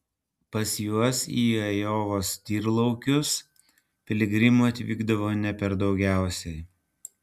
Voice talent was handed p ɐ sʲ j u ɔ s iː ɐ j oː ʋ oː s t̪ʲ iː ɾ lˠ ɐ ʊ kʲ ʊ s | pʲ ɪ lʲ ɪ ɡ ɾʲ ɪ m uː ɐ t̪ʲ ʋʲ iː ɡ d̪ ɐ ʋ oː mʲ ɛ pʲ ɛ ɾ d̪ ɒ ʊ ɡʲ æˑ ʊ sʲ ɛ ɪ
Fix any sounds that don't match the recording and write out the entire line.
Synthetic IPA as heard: p ɐ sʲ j u ɔ s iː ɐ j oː ʋ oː s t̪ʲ iː ɾ lˠ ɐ ʊ kʲ ʊ s | pʲ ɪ lʲ ɪ ɡ ɾʲ ɪ m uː ɐ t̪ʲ ʋʲ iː ɡ d̪ ɐ ʋ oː nʲ ɛ pʲ ɛ ɾ d̪ ɒ ʊ ɡʲ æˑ ʊ sʲ ɛ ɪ